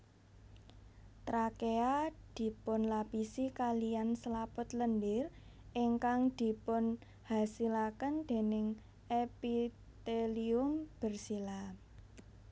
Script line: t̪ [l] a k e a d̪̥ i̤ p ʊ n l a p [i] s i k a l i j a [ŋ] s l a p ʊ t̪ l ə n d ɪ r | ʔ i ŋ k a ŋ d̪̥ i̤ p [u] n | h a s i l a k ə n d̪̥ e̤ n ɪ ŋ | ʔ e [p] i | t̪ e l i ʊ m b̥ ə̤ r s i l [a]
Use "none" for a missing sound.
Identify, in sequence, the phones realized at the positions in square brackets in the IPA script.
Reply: ɾ, i, n, ʊ, p, a

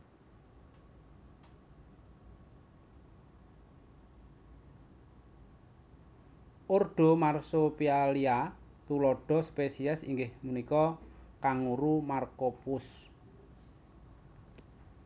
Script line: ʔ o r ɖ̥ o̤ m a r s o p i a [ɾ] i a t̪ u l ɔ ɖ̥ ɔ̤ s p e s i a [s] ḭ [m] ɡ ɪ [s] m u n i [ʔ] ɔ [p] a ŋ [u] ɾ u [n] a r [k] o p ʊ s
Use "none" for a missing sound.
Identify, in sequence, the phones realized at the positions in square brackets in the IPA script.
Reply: l, s, ŋ, h, k, k, u, m, k

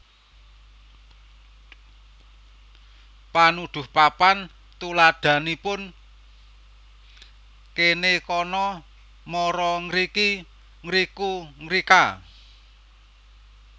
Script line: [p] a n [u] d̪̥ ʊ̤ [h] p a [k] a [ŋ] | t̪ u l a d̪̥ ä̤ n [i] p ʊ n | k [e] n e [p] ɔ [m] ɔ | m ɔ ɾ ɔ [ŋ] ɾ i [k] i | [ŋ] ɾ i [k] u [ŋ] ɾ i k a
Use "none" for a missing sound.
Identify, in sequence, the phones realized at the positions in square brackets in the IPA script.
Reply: p, u, h, p, n, i, e, k, n, ŋ, k, ŋ, k, ŋ

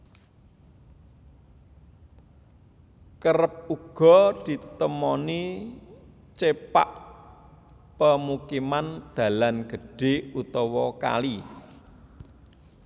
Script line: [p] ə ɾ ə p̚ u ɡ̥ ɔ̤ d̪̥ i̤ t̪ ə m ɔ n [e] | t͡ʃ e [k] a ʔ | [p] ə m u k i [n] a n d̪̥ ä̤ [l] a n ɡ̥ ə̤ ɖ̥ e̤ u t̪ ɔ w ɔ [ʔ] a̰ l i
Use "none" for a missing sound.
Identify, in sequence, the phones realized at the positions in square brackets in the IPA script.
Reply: k, i, p, p, m, l, k

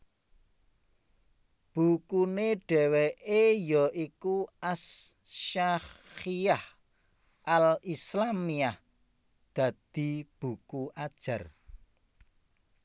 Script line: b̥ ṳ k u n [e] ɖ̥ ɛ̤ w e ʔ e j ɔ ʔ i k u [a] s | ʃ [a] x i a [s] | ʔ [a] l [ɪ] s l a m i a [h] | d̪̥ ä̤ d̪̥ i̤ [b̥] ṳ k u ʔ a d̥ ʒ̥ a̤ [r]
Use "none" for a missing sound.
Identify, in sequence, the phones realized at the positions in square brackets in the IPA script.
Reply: e, a, a, h, a, i, h, b̥, r

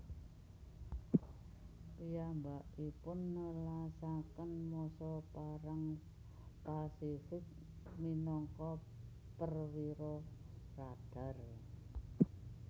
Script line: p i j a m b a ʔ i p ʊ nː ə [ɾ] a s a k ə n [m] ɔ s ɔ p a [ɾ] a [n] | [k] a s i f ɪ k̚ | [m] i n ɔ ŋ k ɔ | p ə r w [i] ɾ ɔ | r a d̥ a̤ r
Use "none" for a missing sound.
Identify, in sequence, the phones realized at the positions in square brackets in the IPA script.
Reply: l, m, ɾ, ŋ, p, m, i

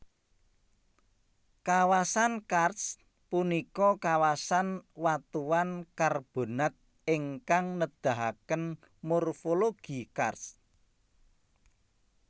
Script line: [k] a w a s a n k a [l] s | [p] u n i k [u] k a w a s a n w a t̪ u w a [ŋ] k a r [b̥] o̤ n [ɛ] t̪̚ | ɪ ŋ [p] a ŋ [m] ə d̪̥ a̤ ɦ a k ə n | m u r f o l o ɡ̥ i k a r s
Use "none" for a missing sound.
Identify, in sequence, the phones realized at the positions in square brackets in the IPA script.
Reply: k, r, p, ɔ, n, b̥, a, k, n

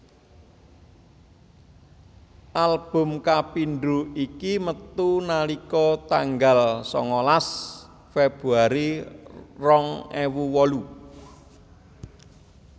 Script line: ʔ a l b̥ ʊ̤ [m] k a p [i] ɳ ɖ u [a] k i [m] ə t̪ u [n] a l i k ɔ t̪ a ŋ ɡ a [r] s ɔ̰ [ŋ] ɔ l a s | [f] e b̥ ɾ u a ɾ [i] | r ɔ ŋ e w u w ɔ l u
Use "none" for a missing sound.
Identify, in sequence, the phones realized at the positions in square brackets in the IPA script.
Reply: m, i, i, m, n, l, ŋ, f, i

